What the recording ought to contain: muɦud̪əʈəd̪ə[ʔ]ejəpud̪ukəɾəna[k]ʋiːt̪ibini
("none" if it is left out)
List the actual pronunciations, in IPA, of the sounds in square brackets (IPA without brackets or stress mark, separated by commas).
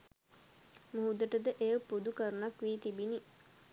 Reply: ʔ, k